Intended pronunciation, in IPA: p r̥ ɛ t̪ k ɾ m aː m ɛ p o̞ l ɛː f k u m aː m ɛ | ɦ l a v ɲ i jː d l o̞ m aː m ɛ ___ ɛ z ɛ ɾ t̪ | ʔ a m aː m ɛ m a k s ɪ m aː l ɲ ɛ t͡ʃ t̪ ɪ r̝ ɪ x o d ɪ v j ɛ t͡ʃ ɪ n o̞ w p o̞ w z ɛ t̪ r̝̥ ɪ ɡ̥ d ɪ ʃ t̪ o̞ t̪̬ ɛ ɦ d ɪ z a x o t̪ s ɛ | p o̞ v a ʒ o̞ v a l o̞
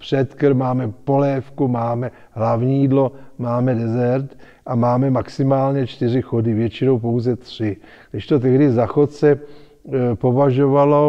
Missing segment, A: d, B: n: A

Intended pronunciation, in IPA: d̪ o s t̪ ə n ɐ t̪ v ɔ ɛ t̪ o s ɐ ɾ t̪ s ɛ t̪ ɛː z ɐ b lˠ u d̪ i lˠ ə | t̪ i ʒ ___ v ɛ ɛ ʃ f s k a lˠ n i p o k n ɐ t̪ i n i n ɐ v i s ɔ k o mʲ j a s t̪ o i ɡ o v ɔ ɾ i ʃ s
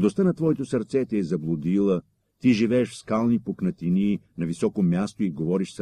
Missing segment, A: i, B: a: A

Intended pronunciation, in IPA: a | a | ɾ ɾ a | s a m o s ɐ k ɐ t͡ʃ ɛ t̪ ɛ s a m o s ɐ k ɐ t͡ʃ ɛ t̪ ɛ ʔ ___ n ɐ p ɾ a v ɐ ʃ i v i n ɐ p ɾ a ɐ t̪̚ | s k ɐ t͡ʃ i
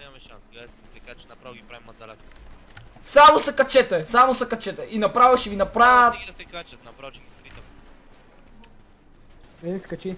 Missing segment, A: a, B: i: B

